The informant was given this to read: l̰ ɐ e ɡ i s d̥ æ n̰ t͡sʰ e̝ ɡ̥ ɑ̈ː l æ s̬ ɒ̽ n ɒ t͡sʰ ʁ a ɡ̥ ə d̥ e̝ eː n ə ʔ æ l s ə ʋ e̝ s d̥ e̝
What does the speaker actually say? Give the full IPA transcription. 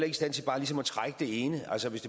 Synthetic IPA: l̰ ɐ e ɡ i s d̥ æ n̰ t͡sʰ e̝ b̥ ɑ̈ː l i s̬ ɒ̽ m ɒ t͡sʰ ʁ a ɡ̥ ə d̥ e̝ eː n ə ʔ æ l s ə ʋ e̝ s d̥ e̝

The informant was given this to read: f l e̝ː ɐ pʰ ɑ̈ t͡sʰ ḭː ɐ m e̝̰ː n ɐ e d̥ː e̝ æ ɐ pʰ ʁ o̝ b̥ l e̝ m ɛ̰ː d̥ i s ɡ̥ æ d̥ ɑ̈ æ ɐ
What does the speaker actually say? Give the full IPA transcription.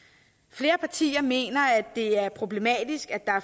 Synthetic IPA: f l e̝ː ɐ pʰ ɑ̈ t͡sʰ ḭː ɐ m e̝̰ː n ɐ æ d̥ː e̝ æ ɐ pʰ ʁ o̝ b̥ l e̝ m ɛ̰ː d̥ i s ɡ̥ æ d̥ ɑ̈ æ ɐ

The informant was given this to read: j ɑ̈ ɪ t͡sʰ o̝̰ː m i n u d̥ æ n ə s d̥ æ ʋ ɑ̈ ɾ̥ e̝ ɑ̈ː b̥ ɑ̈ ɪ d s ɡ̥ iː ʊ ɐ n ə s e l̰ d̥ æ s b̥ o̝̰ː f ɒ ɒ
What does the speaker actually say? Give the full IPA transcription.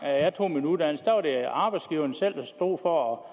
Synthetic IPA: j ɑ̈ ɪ t͡sʰ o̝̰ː m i n u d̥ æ n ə s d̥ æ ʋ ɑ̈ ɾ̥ e̝ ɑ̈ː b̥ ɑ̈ ɪ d s ɡ̥ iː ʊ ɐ n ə s e l̰ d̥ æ s d̥ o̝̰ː f ɒ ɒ

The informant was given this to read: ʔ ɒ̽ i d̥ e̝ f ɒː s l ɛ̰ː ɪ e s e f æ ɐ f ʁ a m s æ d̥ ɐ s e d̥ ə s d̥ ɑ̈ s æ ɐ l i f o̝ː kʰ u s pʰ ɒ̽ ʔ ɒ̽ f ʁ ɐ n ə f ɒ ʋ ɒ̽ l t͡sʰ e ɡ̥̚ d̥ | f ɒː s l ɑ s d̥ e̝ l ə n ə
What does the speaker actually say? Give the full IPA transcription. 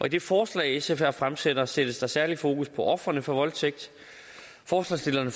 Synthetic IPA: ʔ ɒ̽ i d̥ e̝ f ɒː s l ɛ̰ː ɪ e s e f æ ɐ f ʁ a m s e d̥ ɐ s e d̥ ə s d̥ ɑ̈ s æ ɐ l i f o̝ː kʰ u s pʰ ɒ̽ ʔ ɒ̽ f ʁ ɐ n ə f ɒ ʋ ɒ̽ l t͡sʰ e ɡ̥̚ d̥ | f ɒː s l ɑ s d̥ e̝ l ɐ n ə

